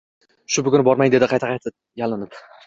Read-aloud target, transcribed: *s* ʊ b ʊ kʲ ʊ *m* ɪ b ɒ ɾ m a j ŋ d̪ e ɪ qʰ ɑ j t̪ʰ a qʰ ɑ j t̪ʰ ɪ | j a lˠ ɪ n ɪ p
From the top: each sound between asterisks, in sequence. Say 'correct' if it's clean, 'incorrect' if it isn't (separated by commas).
incorrect, incorrect